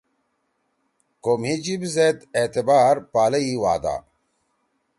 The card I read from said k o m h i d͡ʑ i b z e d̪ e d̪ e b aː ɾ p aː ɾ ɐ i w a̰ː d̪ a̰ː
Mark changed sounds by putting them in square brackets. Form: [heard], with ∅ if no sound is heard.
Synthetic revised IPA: k o m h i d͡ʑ i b z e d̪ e [t̪] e b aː ɾ p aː [l] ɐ i w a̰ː d̪ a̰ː